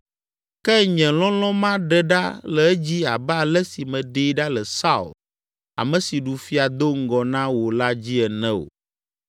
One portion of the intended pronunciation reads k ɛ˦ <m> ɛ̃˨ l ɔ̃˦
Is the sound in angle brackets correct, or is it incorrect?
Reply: incorrect